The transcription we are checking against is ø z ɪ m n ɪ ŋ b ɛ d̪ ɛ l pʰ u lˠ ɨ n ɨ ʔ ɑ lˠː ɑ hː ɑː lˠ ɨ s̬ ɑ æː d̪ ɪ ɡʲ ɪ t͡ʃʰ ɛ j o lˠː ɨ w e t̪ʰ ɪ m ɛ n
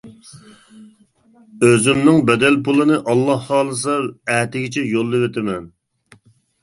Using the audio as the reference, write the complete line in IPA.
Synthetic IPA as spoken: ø z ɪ m n ɪ ŋ b ɛ d̪ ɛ l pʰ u lˠ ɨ n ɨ ʔ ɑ lˠː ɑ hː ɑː lˠ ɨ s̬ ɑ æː t̪ ɪ ɡʲ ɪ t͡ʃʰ ɛ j o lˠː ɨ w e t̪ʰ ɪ m ɛ n